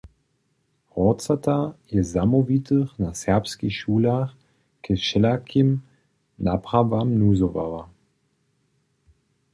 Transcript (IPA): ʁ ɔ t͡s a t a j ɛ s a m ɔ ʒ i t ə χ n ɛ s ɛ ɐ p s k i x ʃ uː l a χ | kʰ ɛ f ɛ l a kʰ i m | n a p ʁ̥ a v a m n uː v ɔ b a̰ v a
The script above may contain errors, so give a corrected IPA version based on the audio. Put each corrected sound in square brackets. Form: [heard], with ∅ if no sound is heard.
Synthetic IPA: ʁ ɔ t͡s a t a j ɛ [z] a m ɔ [v] i t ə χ n [a] s ɛ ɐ p s k i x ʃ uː l a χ | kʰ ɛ [ʃ] ɛ l a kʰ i m | n a p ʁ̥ a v a m n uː [z] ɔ [v] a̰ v a

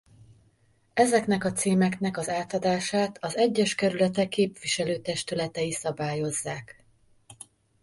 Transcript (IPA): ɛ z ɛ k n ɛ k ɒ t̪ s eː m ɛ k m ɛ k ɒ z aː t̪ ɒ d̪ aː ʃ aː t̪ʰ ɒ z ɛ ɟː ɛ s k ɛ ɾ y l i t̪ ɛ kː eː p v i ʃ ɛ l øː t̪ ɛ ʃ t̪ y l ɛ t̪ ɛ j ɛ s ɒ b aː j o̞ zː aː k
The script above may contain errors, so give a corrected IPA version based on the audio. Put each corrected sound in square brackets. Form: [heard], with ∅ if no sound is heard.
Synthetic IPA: ɛ z ɛ k n ɛ k ɒ t̪ s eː m ɛ k [n] ɛ k ɒ z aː t̪ ɒ d̪ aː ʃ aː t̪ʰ ɒ z ɛ ɟː ɛ [ʃ] k ɛ ɾ y l [ɛ] t̪ ɛ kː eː p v i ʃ ɛ l øː t̪ ɛ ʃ t̪ y l ɛ t̪ ɛ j [i] s ɒ b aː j o̞ zː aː k

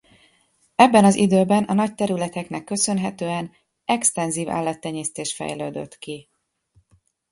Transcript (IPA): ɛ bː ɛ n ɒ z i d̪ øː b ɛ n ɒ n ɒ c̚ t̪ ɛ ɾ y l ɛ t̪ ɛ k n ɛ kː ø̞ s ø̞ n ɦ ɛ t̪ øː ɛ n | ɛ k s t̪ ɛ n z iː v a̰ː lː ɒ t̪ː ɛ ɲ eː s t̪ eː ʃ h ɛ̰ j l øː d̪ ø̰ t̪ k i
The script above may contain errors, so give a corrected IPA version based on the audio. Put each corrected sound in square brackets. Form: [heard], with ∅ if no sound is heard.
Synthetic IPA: ɛ bː ɛ n ɒ z i d̪ øː b ɛ n ɒ n ɒ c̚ t̪ ɛ ɾ y l ɛ t̪ ɛ k n ɛ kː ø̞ s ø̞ n ɦ ɛ t̪ øː ɛ n | ɛ k s t̪ ɛ n z iː v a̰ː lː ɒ t̪ː ɛ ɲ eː s t̪ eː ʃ [f] ɛ̰ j l øː d̪ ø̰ t̪ k i

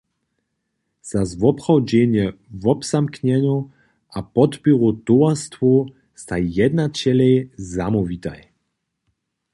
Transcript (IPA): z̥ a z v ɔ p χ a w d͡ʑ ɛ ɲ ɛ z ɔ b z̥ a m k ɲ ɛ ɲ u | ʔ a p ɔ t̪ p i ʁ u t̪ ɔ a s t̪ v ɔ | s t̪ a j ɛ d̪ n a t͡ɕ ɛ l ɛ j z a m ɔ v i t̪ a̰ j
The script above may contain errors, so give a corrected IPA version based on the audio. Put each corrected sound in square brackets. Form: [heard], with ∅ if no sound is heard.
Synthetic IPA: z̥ a z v ɔ p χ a w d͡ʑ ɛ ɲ ɛ [v] ɔ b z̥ a m k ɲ ɛ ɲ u | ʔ a p ɔ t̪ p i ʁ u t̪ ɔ a s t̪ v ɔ | s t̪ a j ɛ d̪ n a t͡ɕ ɛ l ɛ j z a m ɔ v i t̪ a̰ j

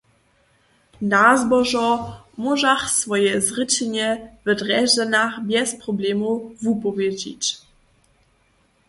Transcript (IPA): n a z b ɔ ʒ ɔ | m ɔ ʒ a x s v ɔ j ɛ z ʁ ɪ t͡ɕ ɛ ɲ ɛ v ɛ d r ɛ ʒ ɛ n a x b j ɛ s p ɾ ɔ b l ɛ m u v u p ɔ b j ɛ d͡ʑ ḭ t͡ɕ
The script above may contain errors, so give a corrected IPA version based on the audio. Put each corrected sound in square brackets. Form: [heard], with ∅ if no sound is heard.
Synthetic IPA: n a z b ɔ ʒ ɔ | m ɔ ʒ a x s v ɔ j ɛ z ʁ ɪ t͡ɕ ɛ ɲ ɛ v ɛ d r ɛ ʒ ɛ n a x b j ɛ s p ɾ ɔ b l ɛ m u v u p ɔ [v] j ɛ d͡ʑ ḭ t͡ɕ

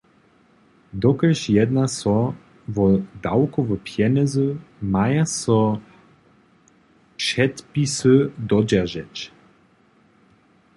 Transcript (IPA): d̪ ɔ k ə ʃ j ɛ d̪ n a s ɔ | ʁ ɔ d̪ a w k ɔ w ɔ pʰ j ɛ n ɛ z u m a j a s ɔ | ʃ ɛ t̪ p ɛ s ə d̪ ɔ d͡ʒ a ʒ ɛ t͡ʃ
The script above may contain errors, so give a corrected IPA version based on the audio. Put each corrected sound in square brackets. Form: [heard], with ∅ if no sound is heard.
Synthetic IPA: d̪ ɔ k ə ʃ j ɛ d̪ n a s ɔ | [v] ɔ d̪ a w k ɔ [v] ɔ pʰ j ɛ n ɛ z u m a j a s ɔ | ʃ ɛ t̪ p [i] s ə d̪ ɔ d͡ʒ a ʒ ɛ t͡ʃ

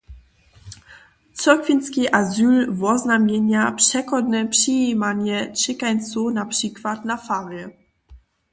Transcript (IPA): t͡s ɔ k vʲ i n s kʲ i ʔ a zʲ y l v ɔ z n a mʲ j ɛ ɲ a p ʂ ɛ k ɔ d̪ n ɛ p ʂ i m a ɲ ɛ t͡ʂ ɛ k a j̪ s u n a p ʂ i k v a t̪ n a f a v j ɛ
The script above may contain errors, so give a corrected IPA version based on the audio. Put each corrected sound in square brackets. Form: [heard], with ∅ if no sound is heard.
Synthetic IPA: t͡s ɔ k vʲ i n s kʲ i ʔ a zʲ y l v ɔ z n a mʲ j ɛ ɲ a p ʂ ɛ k ɔ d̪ n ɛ p ʂ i m a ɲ ɛ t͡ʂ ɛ k a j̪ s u n a p ʂ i k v a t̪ n a f a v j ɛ

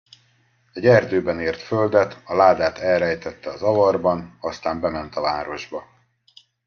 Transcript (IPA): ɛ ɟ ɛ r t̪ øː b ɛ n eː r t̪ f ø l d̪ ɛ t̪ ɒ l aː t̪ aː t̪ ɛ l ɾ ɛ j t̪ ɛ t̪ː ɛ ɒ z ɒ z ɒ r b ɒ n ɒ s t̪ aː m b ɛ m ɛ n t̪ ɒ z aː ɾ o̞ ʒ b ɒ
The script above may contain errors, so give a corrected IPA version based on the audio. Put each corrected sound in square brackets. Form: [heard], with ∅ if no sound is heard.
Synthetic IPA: ɛ ɟ ɛ r [d̪] øː b ɛ n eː r t̪ f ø l d̪ ɛ t̪ ɒ l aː [d̪] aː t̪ ɛ l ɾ ɛ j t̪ ɛ t̪ː ɛ ɒ z ɒ [v] ɒ r b ɒ n ɒ s t̪ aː m b ɛ m ɛ n t̪ ɒ [v] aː ɾ o̞ ʒ b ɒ

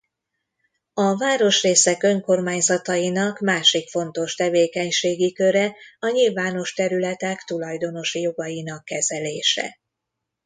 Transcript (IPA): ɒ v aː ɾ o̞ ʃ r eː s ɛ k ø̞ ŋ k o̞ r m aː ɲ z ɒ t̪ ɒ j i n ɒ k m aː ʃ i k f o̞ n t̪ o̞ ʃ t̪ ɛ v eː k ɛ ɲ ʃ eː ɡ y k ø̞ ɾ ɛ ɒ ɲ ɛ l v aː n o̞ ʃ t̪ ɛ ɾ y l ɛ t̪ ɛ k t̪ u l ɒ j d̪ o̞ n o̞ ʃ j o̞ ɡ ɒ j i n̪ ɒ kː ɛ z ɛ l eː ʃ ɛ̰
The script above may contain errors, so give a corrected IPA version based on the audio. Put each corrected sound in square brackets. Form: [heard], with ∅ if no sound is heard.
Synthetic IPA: ɒ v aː ɾ o̞ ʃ r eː s ɛ k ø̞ ŋ k o̞ r m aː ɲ z ɒ t̪ ɒ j i n ɒ k m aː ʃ i k f o̞ n t̪ o̞ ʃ t̪ ɛ v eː k ɛ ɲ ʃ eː ɡ [i] k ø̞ ɾ ɛ ɒ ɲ [i] l v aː n o̞ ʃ t̪ ɛ ɾ y l ɛ t̪ ɛ k t̪ u l ɒ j d̪ o̞ n o̞ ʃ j o̞ ɡ ɒ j i n̪ ɒ kː ɛ z ɛ l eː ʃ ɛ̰

